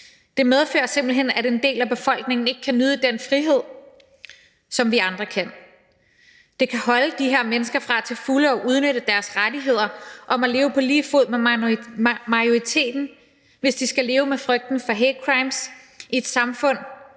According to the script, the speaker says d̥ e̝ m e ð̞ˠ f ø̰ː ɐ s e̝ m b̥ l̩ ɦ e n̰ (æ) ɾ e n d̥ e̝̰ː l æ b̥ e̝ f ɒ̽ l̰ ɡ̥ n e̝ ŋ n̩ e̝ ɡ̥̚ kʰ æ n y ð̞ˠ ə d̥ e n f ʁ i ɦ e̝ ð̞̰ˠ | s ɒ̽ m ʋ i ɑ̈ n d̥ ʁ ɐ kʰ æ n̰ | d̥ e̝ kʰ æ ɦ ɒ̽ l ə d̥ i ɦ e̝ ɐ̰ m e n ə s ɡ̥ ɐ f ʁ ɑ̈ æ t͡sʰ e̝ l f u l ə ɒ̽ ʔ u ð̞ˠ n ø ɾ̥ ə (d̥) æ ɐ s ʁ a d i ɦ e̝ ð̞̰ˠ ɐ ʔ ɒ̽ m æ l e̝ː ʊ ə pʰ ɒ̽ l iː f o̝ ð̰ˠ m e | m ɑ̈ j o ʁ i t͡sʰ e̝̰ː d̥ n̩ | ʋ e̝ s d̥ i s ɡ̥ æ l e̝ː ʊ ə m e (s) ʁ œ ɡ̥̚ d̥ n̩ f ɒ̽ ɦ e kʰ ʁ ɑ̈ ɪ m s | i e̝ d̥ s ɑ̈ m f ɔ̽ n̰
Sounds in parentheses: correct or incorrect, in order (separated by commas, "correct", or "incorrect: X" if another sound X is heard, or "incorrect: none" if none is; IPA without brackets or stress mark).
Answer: correct, correct, incorrect: f